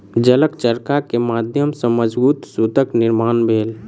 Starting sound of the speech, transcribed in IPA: d͡ʒ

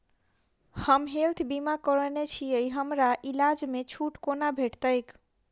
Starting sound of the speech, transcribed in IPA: h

